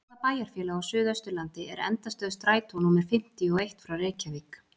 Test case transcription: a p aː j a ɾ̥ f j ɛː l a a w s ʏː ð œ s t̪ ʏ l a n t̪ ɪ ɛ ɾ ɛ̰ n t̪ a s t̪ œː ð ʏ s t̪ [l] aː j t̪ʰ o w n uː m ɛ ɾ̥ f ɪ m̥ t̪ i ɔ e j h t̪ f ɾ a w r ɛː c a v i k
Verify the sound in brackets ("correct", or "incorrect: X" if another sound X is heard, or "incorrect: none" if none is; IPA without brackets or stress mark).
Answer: incorrect: ɾ